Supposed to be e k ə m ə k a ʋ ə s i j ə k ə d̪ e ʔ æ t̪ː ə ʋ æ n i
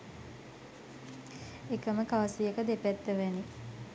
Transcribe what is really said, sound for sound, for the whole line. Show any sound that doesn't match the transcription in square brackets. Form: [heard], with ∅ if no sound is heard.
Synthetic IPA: e k ə m ə k a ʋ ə s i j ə k ə d̪ e [p] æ t̪ː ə ʋ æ n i